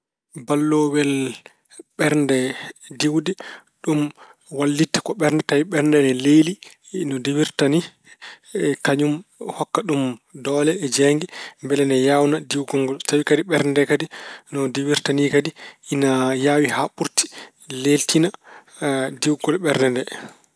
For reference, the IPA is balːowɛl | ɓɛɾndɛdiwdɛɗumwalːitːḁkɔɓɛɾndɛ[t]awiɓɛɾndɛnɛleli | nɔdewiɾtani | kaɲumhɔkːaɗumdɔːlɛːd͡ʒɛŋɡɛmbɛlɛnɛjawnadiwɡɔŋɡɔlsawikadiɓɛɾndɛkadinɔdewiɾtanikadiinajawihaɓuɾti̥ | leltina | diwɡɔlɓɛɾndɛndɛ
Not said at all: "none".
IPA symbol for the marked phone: t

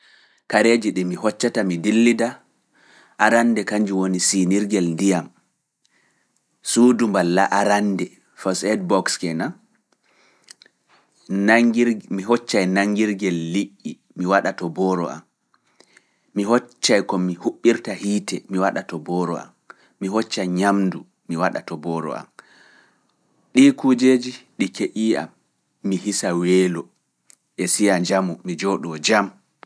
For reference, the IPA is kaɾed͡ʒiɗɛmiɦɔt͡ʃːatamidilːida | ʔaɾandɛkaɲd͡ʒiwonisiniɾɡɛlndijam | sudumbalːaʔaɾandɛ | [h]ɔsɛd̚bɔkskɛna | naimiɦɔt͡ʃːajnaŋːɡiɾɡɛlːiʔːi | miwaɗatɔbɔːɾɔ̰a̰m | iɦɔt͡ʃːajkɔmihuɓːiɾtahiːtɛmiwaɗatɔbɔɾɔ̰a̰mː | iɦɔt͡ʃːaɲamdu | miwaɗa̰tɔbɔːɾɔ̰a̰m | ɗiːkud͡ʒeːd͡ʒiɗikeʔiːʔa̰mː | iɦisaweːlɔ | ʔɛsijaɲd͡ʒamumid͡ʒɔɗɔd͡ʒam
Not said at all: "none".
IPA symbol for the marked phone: f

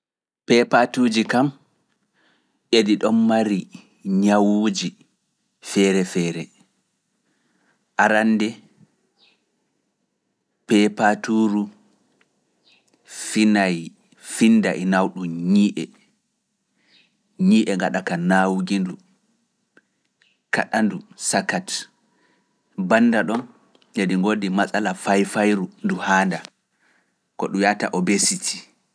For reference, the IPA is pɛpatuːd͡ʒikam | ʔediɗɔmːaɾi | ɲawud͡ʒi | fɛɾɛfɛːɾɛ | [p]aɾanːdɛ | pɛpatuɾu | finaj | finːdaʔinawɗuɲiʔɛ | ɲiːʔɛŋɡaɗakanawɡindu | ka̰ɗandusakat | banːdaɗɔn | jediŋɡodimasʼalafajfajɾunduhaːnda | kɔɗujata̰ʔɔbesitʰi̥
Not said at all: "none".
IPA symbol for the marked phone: ʔ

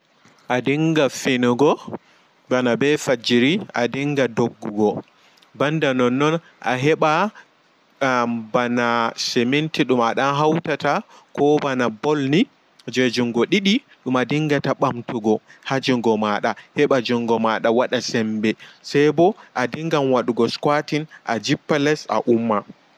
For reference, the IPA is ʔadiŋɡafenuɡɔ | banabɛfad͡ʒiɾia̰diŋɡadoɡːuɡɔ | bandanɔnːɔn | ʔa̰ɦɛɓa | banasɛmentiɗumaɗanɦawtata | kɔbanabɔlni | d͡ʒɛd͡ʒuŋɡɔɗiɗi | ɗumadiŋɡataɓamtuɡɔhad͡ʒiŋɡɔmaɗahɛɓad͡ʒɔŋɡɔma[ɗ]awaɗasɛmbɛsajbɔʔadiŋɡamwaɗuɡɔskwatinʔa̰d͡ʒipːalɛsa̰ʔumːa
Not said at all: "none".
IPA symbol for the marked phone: ɗ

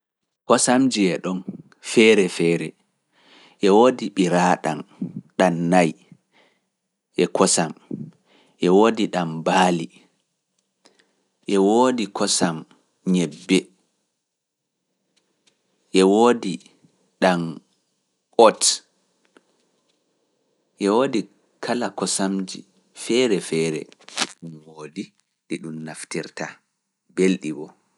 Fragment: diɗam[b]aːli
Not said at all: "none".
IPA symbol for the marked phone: b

